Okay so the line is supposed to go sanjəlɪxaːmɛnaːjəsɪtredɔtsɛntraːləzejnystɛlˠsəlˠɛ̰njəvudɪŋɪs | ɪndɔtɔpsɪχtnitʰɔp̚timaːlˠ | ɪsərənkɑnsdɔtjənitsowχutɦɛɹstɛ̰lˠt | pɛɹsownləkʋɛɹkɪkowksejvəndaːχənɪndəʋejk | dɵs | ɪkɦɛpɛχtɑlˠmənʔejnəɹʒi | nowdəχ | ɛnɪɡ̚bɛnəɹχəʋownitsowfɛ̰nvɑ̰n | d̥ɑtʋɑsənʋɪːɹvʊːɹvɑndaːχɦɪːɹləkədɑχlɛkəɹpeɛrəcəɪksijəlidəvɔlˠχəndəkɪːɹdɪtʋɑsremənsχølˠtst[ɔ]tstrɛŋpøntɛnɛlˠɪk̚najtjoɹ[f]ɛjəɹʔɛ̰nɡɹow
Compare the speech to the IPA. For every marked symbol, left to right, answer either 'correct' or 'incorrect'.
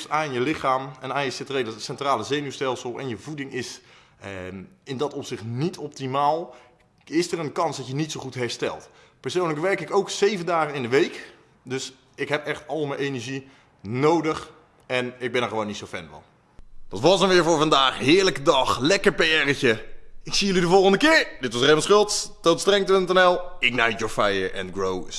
incorrect, correct

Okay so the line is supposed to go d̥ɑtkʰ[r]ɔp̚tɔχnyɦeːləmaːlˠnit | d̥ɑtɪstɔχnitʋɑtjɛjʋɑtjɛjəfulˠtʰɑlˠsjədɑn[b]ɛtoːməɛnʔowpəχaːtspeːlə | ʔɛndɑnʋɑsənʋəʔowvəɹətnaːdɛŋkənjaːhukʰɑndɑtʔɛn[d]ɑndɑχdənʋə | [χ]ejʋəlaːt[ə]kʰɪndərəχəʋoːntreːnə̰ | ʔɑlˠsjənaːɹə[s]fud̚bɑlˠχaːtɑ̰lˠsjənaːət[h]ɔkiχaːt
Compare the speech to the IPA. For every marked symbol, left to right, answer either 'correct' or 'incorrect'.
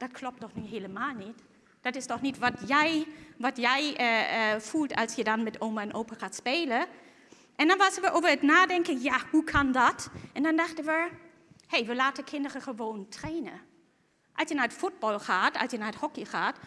incorrect, incorrect, correct, incorrect, correct, incorrect, correct

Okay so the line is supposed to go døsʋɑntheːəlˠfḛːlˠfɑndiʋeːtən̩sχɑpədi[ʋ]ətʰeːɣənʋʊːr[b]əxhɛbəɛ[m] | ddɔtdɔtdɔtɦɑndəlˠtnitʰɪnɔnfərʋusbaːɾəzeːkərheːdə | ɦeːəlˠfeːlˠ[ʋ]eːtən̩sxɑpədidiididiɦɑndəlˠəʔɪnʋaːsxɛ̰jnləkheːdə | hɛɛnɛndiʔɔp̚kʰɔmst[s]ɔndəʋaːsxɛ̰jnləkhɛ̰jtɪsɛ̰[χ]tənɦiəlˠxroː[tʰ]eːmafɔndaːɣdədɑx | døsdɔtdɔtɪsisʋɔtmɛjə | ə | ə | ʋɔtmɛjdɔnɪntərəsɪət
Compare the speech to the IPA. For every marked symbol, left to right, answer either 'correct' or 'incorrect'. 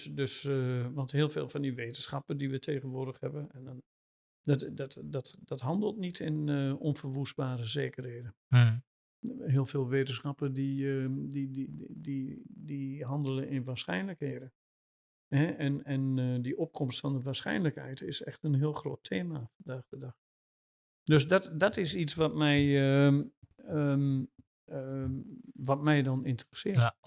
correct, incorrect, incorrect, correct, incorrect, incorrect, correct

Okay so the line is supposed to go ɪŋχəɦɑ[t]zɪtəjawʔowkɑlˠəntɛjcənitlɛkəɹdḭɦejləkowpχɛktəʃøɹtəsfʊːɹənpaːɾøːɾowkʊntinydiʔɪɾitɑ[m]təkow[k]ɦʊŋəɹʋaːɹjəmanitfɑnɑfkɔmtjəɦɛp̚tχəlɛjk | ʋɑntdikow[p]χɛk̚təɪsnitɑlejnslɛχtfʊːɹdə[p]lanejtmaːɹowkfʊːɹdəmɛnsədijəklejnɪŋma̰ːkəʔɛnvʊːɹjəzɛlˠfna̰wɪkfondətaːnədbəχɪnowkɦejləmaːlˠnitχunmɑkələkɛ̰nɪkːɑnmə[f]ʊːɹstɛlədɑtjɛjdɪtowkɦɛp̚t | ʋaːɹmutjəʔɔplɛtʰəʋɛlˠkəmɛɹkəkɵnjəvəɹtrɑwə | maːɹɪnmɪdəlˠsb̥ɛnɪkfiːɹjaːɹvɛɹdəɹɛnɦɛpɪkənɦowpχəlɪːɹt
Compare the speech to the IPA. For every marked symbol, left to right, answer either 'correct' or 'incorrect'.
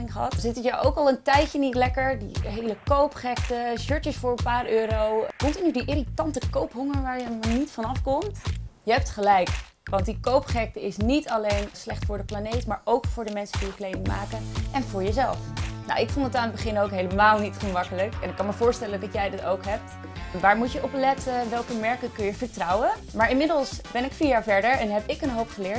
correct, incorrect, incorrect, correct, correct, incorrect

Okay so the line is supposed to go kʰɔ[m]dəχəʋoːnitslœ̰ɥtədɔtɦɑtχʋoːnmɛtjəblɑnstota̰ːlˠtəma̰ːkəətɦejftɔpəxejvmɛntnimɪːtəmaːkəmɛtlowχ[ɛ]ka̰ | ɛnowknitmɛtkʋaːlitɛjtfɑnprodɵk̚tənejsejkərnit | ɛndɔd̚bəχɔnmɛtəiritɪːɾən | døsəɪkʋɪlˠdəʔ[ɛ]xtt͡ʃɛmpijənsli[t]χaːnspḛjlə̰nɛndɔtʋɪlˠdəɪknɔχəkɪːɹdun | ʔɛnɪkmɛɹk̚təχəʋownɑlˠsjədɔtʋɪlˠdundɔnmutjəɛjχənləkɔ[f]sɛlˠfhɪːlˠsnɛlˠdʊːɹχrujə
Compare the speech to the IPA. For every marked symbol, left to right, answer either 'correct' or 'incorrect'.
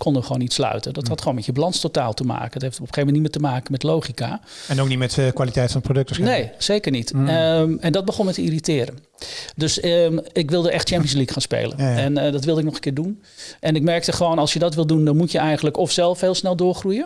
incorrect, incorrect, correct, incorrect, correct

